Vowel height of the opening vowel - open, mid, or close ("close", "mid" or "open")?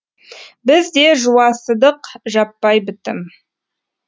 close